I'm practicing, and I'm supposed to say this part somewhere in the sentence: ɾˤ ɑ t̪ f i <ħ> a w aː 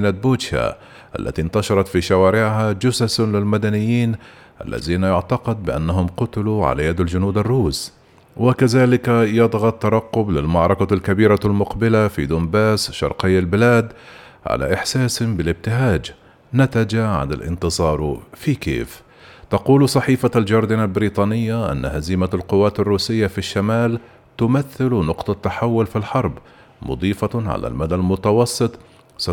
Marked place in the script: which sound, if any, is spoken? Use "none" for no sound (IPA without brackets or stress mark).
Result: ʃ